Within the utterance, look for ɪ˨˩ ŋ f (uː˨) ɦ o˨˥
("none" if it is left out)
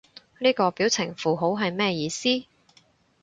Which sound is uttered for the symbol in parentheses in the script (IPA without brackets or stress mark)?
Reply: uː˨